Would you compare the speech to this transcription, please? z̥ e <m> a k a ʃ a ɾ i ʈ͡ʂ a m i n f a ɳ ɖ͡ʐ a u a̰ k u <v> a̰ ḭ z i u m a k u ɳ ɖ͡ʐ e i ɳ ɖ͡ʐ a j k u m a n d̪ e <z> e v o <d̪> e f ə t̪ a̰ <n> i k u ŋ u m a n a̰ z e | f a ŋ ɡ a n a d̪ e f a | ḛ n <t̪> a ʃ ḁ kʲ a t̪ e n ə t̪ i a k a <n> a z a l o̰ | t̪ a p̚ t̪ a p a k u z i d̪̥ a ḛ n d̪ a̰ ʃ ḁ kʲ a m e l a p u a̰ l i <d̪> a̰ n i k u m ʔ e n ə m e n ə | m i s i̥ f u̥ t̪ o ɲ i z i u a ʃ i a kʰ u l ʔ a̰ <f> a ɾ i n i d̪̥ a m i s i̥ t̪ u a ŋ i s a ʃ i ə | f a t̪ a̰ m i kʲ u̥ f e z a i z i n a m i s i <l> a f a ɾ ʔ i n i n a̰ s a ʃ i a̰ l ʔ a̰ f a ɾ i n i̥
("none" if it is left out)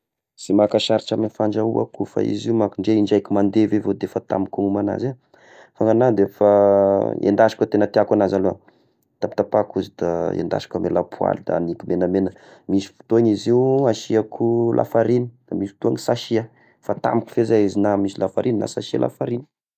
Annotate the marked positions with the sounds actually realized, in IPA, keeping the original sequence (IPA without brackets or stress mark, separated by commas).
m, f, v, d̪, m, d̪, n, d̪, f, l